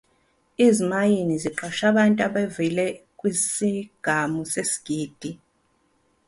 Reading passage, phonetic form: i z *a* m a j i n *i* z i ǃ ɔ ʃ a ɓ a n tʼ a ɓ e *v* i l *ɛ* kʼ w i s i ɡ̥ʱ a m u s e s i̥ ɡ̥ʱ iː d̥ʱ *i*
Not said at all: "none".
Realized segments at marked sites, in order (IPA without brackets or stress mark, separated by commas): i, i, v, ɛ, i